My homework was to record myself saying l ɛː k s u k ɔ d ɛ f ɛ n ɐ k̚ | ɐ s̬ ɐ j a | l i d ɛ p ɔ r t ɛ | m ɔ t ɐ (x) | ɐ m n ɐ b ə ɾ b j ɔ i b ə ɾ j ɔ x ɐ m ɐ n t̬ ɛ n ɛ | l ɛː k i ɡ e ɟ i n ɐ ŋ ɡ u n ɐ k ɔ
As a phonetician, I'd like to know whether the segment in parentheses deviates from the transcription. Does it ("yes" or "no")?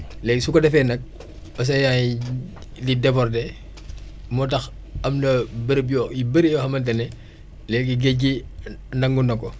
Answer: no